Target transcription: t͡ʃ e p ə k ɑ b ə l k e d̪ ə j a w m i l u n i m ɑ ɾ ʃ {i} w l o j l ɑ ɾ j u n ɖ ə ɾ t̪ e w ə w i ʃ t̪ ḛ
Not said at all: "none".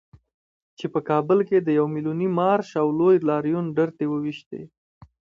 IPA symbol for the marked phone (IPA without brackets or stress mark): a